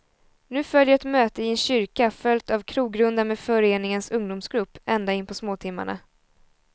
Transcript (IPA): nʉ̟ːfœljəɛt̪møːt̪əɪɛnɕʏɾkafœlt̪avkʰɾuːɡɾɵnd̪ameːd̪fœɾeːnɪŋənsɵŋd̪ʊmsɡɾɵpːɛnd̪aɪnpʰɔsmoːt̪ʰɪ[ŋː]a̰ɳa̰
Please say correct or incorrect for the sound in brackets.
incorrect